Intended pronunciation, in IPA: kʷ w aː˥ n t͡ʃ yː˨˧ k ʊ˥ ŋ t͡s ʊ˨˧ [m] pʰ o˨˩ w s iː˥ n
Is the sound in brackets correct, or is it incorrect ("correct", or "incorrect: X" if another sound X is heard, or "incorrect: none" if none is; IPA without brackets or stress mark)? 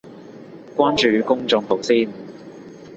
incorrect: ŋ